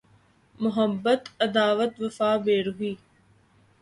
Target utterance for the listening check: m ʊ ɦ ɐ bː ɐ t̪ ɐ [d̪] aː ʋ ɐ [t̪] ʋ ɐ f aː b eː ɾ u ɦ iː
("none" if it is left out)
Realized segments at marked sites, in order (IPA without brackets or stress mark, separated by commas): d̪, t̪